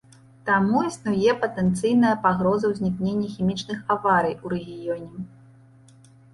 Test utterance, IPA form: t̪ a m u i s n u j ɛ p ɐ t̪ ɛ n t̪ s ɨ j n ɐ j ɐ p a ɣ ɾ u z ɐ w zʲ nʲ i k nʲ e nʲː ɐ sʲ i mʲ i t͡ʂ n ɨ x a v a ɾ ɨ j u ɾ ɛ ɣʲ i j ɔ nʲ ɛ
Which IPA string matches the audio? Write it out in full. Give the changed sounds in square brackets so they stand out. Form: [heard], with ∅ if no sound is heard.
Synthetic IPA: t̪ a m u i s n u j ɛ p ɐ t̪ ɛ n t̪ s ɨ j n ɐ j ɐ p a ɣ ɾ [ɔ] z ɐ w zʲ nʲ i k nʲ e nʲː ɐ [xʲ] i mʲ i t͡ʂ n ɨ x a v a ɾ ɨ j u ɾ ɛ ɣʲ i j ɔ nʲ ɛ